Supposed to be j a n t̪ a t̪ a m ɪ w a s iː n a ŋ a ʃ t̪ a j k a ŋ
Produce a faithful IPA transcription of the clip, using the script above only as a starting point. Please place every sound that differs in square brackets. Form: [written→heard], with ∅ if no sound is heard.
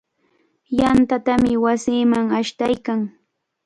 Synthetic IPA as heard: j a n t̪ a t̪ a m ɪ w a s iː [n→m] a ŋ a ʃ t̪ a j k a ŋ